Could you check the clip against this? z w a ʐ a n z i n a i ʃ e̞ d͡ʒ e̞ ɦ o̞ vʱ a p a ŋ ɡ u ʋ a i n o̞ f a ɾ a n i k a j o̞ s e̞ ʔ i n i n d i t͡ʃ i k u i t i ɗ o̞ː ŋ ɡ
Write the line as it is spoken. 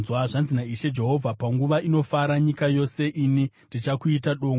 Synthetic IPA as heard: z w a ʐ a n z i n a i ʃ e̞ d͡ʒ e̞ ɦ o̞ vʱ a p a ŋ ɡ u ʋ a i n o̞ f a ɾ a ɲ i k a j o̞ s e̞ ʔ i n i n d i t͡ʃ a k u i t a ɗ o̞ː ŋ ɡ